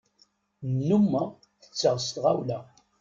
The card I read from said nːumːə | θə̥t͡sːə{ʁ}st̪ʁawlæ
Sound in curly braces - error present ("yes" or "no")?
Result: no